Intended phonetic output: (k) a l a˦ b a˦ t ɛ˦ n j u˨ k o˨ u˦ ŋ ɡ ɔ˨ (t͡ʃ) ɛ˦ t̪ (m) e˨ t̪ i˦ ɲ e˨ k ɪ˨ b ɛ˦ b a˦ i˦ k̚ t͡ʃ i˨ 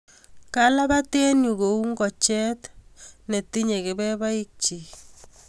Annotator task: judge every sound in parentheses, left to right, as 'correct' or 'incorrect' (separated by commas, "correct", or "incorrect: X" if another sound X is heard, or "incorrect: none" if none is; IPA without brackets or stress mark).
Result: correct, correct, incorrect: n